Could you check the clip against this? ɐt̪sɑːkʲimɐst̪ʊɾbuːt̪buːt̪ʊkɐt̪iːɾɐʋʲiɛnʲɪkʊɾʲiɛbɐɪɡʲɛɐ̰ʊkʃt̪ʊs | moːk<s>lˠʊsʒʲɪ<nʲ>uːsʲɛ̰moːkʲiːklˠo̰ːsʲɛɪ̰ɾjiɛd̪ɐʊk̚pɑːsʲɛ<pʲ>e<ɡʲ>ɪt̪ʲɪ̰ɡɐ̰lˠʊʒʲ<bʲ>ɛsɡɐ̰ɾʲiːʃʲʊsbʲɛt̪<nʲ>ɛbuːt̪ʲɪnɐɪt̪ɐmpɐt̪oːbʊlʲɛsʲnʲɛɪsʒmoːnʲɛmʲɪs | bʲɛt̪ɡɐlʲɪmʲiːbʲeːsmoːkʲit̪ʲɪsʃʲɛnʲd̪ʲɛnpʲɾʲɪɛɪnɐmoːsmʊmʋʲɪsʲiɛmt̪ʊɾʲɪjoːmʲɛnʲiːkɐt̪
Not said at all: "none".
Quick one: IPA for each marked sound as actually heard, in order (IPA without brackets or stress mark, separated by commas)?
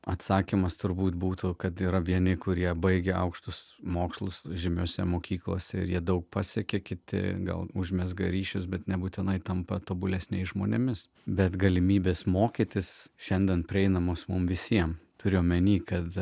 s, mʲ, kʲ, kʲ, mʲ, nʲ